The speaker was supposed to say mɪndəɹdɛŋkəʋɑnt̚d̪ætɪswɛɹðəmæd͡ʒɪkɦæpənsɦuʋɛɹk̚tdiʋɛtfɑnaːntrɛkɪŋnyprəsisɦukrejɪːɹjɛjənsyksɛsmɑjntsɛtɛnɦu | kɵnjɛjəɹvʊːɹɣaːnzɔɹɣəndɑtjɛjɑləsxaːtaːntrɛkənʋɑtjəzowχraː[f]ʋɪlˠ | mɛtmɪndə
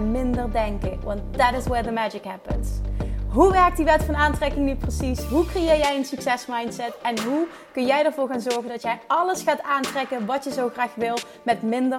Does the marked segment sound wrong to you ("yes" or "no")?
yes